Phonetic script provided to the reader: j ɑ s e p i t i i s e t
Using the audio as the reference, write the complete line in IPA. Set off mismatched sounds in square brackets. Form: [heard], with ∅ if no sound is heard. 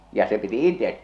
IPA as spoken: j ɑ s e p i t i i [t] e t